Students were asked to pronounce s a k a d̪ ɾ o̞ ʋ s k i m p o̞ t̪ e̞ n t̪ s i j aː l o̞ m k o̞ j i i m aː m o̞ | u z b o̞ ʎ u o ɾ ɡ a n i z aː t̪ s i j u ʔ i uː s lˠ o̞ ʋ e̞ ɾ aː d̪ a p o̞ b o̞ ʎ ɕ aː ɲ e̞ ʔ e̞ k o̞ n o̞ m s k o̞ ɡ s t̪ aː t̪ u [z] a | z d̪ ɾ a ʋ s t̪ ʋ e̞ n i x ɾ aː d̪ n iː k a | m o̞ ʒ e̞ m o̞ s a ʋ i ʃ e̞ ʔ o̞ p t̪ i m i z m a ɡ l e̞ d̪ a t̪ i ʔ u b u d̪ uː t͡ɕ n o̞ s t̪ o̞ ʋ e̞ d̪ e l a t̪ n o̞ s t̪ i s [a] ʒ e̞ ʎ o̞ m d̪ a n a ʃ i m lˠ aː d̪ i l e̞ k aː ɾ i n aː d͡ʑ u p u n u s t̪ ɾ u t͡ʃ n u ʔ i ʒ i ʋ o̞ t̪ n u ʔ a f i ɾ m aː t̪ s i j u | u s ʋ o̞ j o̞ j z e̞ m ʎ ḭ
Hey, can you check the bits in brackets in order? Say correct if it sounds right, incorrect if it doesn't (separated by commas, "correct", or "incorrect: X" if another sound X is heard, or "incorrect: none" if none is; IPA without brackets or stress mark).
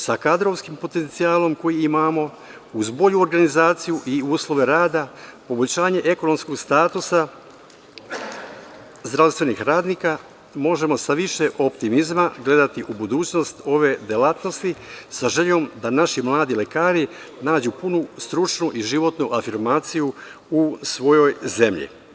incorrect: s, correct